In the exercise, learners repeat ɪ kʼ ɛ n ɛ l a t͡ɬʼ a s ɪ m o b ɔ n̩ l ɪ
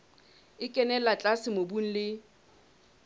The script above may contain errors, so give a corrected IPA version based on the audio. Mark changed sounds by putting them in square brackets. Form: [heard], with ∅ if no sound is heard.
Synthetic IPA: ɪ kʼ ɛ n ɛ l a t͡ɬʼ a s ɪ m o b [u] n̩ l ɪ